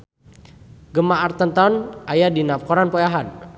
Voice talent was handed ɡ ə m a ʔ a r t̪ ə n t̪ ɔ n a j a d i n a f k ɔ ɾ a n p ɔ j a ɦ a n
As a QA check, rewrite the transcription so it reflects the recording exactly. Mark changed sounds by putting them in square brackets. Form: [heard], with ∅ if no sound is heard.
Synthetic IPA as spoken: ɡ ə m a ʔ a r t̪ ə n t̪ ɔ n a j a d i n a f k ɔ ɾ a n p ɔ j a ɦ a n